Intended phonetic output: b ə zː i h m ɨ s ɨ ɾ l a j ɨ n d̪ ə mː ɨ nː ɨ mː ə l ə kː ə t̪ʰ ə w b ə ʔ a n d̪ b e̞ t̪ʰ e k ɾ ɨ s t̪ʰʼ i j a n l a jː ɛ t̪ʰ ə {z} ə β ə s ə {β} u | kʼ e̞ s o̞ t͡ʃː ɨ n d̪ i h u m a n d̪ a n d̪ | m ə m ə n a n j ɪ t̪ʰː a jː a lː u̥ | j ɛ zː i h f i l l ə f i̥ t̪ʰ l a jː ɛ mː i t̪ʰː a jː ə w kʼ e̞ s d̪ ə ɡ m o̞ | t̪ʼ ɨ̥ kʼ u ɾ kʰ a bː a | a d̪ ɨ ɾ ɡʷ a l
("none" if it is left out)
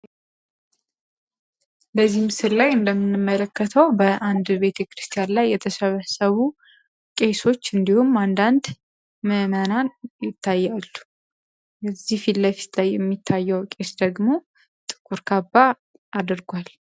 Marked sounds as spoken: s, β

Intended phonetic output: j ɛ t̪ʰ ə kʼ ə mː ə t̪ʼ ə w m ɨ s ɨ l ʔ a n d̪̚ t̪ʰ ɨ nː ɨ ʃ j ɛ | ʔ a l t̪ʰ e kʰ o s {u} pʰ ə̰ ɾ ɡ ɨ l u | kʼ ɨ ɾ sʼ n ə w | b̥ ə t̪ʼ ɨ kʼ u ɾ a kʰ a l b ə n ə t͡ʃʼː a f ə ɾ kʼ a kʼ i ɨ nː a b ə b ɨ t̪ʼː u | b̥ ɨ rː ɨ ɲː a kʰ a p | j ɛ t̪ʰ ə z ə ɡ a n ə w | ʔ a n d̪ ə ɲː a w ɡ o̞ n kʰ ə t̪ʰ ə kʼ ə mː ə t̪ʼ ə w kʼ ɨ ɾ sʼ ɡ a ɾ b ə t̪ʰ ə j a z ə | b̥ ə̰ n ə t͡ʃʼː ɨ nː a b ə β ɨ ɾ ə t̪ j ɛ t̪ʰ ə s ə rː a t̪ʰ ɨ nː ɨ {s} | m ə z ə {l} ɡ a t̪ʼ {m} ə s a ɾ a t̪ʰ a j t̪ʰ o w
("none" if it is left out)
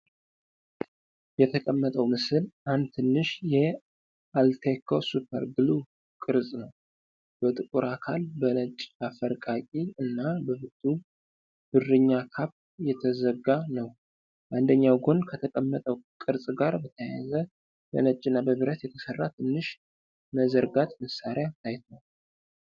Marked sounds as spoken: u, ʃ, ɾ, m

